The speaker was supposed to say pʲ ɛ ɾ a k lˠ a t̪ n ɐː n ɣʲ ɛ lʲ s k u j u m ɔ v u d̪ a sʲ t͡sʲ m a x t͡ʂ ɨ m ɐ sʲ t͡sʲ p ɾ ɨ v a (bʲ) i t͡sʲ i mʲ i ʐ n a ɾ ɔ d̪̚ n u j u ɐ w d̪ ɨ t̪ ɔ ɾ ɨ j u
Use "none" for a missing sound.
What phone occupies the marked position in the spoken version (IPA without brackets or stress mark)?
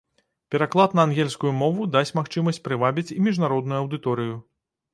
bʲ